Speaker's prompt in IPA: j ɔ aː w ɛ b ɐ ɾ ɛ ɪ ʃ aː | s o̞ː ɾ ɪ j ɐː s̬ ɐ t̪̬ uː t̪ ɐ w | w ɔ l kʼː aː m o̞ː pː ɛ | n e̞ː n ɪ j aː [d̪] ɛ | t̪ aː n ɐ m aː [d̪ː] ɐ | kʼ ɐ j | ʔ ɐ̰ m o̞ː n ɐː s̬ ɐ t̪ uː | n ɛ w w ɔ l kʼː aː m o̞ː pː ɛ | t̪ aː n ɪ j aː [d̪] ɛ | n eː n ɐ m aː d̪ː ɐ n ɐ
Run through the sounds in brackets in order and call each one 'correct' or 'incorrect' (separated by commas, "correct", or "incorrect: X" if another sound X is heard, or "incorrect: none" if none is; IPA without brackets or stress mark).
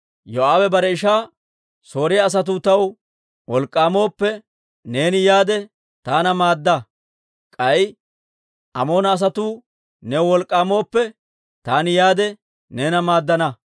correct, correct, correct